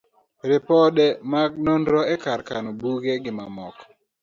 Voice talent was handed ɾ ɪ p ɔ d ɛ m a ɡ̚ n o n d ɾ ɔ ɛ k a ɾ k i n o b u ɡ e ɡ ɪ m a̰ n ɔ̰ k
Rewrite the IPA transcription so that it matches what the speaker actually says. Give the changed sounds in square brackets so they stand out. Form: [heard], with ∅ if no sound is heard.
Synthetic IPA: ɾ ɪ p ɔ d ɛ m a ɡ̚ n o n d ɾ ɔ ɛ k a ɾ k [a] n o b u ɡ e ɡ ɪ m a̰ [m] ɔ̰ k